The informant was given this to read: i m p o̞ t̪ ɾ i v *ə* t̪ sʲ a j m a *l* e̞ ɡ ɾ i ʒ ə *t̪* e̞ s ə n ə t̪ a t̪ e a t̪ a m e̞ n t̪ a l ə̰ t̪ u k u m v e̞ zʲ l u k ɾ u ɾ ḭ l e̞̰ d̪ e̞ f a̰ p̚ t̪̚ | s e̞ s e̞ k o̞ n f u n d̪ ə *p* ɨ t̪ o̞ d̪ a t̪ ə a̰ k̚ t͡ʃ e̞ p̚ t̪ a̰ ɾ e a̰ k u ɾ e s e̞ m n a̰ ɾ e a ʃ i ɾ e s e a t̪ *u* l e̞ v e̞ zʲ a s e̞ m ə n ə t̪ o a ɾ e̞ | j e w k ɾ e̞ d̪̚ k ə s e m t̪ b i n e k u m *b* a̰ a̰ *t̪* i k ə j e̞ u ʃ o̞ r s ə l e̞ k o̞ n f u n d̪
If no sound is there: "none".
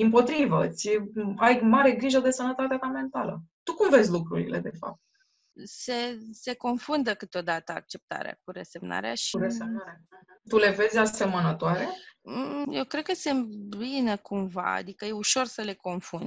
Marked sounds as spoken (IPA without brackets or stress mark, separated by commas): ə, ɾ, d̪, k, u, v, d̪